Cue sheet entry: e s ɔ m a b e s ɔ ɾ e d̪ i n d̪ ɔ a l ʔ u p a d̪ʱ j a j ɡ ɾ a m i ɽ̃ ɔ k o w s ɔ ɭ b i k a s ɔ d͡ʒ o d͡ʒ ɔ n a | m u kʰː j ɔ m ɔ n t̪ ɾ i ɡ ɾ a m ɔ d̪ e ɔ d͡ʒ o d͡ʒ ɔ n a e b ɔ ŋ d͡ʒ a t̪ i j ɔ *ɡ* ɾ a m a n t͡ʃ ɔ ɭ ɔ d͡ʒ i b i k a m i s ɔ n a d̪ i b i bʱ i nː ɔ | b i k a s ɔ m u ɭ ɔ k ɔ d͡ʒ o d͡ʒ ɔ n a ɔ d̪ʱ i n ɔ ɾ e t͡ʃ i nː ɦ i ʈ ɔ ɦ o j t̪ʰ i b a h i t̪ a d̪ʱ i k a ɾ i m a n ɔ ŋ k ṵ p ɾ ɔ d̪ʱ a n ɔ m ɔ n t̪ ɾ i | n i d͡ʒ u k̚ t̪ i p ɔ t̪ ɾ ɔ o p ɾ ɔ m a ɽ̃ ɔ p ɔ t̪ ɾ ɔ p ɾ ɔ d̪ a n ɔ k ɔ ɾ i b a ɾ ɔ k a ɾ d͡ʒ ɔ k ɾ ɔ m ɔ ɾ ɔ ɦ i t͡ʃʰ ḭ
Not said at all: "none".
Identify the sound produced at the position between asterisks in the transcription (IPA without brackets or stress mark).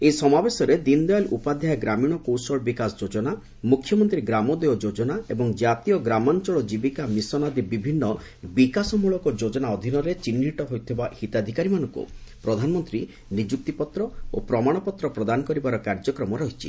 ɡ